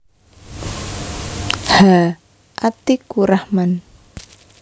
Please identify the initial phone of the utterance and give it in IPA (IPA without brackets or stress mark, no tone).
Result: h